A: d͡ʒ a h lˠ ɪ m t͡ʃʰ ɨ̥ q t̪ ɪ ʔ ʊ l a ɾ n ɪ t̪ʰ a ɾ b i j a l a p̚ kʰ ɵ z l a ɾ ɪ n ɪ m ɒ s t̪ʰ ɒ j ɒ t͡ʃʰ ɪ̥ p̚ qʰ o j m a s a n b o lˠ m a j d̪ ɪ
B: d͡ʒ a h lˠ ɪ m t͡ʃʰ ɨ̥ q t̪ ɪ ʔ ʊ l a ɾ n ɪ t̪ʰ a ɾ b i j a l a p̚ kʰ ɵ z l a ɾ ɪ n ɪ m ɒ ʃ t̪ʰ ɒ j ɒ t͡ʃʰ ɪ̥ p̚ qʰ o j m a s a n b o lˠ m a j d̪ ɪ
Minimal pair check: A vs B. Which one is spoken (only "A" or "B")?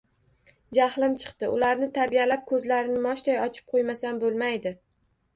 B